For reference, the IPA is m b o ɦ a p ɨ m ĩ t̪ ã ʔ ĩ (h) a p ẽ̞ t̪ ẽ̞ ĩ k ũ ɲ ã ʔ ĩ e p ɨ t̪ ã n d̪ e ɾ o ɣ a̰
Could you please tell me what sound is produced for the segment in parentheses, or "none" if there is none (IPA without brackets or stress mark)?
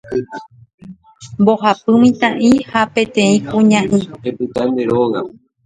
h